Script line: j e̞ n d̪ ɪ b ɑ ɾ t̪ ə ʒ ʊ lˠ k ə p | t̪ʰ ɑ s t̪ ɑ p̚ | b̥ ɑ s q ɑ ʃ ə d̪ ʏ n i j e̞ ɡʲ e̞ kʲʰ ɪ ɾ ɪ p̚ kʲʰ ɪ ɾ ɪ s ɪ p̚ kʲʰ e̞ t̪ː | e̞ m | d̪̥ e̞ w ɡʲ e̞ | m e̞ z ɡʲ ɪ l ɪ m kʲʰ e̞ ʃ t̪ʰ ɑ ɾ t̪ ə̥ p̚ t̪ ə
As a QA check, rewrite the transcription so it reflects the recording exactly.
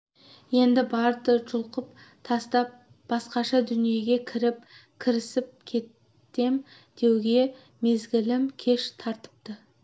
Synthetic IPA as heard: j e̞ n d̪ ɪ b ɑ ɾ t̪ ə ʒ ʊ lˠ q ə p | t̪ʰ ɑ s t̪ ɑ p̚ | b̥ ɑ s q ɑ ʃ ɑ d̪ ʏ n i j e̞ ɡʲ e̞ kʲʰ ɪ ɾ ɪ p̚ kʲʰ ɪ ɾ ɪ s ɪ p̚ kʲʰ e̞ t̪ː | e̞ m | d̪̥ e̞ w ɡʲ e̞ | m e̞ z ɡʲ ɪ l ɪ m kʲʰ e̞ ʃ t̪ʰ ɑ ɾ t̪ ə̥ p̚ t̪ ə